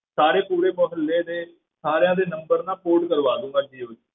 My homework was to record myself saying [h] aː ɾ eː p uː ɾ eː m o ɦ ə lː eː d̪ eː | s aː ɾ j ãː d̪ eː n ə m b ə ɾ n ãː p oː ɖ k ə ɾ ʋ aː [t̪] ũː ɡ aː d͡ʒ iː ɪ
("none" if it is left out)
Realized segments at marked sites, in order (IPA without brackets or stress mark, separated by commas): s, d̪